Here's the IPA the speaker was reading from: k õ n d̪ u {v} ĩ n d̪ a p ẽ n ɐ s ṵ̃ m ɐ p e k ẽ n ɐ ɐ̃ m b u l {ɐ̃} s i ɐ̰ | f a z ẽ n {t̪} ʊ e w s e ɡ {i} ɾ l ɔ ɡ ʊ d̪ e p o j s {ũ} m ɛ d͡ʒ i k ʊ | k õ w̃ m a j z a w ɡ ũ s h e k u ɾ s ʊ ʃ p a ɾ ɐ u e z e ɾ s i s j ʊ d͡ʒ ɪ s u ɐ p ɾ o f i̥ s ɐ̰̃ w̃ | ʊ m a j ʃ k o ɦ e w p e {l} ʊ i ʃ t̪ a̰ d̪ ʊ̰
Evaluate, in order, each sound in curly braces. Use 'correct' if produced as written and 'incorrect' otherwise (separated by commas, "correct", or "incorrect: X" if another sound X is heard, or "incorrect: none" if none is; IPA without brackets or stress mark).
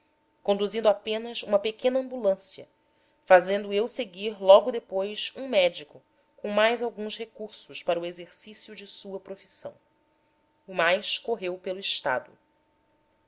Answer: incorrect: z, correct, incorrect: d̪, correct, correct, correct